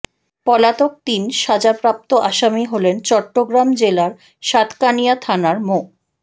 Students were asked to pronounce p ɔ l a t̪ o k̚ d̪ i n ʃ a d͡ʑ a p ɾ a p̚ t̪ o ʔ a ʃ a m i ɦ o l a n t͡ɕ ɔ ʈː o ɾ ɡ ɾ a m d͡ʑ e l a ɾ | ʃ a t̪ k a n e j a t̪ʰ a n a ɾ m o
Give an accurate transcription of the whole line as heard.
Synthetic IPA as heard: p ɔ l a t̪ o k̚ t̪ i n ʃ a d͡ʑ a p ɾ a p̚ t̪ o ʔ a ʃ a m i ɦ o l e n t͡ɕ ɔ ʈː o ɡ ɾ a m d͡ʑ e l a ɾ | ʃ a t̪ k a n i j a t̪ʰ a n a ɾ m o